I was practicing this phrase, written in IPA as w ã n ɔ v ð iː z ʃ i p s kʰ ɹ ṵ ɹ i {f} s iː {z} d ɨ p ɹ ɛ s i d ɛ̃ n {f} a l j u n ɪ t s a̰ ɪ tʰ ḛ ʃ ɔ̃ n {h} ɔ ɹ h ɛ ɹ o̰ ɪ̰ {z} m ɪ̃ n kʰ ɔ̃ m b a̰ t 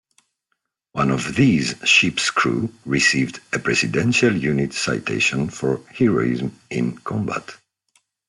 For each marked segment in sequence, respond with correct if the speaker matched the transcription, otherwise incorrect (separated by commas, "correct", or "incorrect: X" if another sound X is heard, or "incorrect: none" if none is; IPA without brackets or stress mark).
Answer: incorrect: none, incorrect: v, incorrect: ʃ, incorrect: f, correct